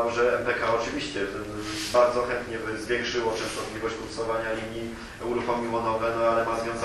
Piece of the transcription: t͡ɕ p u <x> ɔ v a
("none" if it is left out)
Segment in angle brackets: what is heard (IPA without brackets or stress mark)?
s